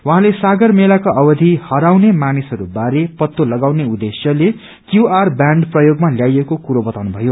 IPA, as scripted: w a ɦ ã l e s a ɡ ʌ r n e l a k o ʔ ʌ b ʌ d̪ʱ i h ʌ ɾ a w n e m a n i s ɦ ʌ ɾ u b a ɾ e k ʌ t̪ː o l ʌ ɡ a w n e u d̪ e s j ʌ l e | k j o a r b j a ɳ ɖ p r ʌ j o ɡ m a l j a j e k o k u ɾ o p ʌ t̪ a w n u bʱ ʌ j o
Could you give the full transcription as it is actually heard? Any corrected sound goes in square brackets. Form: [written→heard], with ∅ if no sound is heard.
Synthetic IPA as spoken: w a ɦ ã l e s a ɡ ʌ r [n→m] e l a k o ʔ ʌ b ʌ d̪ʱ i h ʌ ɾ a w n e m a n i s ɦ ʌ ɾ u b a ɾ e [k→p] ʌ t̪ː o l ʌ ɡ a w n e u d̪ e s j ʌ l e | k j [o→u] a r b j a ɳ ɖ p r ʌ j o ɡ m a l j a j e k o k u ɾ o [p→b] ʌ t̪ a w n u bʱ ʌ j o